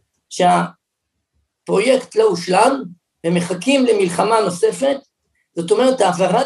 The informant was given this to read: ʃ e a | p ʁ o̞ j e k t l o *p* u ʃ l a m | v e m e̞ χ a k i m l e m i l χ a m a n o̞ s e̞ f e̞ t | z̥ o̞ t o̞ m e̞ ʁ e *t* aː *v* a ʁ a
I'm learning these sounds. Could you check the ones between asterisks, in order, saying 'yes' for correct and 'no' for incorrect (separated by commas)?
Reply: no, yes, yes